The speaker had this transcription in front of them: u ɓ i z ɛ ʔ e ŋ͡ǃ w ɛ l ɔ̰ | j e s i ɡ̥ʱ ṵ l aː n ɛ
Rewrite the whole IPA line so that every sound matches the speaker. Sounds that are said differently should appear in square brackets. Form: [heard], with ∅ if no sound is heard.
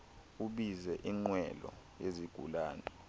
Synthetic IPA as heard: u ɓ i z ɛ ʔ [i] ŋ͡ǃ w ɛ l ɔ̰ | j e [z] i ɡ̥ʱ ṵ l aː n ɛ